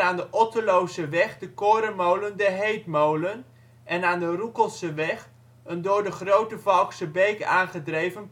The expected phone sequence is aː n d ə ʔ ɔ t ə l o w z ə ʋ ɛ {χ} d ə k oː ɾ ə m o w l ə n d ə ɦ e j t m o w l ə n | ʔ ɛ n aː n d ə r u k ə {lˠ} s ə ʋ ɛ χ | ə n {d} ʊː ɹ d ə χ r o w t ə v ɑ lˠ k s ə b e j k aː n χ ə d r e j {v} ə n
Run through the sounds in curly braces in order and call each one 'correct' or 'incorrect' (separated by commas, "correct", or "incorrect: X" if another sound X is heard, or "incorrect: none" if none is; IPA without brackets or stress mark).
correct, correct, correct, correct